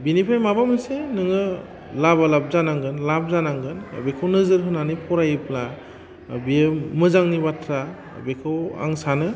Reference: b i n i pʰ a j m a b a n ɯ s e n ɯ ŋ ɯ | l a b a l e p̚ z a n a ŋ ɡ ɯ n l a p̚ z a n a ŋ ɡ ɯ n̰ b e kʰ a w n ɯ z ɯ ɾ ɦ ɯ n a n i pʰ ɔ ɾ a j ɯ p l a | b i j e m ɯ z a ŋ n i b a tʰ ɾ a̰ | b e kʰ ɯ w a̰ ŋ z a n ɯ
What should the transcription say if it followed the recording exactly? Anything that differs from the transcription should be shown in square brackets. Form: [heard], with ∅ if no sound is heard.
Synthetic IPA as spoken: b i n i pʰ a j m a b a [m] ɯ s e n ɯ ŋ ɯ | l a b a l [a] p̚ z a n a ŋ ɡ ɯ n l a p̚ z a n a ŋ ɡ ɯ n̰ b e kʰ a w n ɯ z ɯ ɾ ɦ ɯ n a n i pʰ ɔ ɾ a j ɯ p l a | b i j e m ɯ z a ŋ n i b a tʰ ɾ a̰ | b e kʰ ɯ w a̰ ŋ [s] a n ɯ